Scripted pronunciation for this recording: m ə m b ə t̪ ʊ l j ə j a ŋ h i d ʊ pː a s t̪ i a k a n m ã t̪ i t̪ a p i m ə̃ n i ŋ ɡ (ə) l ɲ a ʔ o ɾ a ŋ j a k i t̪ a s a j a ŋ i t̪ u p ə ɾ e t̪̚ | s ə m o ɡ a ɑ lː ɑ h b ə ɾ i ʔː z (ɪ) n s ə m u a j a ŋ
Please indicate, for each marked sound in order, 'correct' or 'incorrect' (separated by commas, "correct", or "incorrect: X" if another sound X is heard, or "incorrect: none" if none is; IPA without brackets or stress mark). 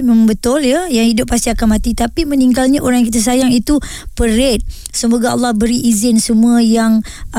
incorrect: a, correct